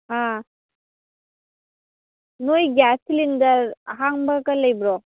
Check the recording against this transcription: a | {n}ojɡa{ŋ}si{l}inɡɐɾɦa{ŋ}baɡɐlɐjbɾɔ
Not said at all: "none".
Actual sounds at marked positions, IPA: n, none, l, ŋ

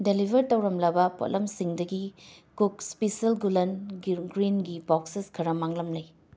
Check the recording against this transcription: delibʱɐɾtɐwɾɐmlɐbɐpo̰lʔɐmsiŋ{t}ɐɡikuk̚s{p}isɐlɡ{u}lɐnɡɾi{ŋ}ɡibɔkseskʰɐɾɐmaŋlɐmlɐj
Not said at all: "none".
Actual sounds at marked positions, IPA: d, p, u, n

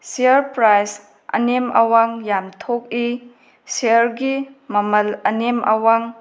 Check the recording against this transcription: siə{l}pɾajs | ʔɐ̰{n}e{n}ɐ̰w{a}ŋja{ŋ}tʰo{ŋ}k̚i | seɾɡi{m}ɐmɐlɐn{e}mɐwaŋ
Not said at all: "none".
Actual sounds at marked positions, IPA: ɾ, n, m, a, m, none, m, e

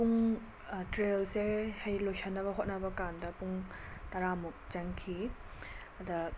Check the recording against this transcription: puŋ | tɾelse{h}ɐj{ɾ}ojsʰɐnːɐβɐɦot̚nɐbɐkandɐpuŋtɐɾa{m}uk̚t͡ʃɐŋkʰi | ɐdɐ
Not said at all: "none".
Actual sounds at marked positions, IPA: h, l, m

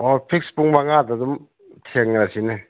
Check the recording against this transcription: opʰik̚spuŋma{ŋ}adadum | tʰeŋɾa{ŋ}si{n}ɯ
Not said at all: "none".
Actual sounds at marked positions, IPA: ŋ, none, n

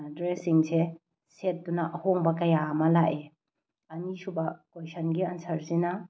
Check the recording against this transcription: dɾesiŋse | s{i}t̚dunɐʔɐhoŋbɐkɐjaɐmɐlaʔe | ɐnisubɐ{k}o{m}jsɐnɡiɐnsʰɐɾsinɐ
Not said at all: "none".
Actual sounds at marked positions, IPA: e, k, none

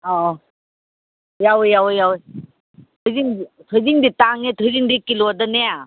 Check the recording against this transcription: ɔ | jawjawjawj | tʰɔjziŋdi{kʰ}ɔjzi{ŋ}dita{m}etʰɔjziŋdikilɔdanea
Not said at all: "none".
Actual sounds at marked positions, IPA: tʰ, ŋ, ŋ

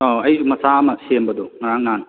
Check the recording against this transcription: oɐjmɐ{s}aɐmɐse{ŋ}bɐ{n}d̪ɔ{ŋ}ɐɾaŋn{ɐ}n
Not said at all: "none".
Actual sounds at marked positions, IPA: s, m, none, ŋ, a

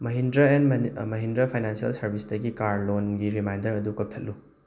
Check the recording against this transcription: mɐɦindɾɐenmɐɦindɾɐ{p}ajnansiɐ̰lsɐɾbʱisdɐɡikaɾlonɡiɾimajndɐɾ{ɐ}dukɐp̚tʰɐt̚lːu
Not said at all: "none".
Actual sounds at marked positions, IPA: pʰ, ɐ

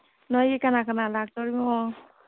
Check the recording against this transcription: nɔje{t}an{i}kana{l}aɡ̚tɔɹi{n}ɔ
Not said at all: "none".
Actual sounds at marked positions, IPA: k, a, l, m

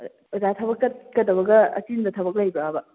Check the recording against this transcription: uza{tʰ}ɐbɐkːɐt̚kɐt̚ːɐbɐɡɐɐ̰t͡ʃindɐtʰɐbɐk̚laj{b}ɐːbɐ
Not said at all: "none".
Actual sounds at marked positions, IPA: tʰ, b

